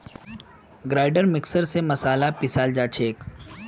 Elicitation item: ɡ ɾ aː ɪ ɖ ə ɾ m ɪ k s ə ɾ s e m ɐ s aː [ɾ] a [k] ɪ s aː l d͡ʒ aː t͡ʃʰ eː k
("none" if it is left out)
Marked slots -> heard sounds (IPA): l, p

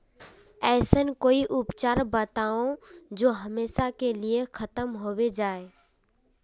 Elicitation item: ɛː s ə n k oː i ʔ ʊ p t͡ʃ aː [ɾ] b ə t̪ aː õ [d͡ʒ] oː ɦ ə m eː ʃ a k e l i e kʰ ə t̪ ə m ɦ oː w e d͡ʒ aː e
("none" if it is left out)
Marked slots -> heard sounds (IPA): ɾ, d͡ʒ

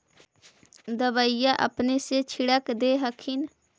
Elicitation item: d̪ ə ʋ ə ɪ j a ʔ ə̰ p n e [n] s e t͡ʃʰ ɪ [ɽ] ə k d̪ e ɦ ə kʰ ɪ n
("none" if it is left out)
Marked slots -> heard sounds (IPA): none, ɽ

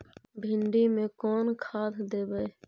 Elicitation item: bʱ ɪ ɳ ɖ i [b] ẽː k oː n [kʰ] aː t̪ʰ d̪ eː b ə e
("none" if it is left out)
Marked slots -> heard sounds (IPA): m, kʰ

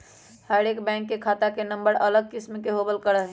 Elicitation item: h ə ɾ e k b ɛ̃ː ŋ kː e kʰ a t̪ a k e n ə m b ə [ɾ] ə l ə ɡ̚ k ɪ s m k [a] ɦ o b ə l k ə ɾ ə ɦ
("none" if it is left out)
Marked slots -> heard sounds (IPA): ɾ, e

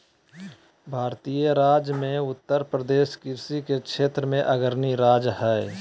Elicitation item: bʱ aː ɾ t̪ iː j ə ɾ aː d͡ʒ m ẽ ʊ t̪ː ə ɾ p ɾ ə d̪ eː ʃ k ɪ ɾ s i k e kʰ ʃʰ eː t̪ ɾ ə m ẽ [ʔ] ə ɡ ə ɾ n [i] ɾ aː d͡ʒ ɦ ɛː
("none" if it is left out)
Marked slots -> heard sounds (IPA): ʔ, i

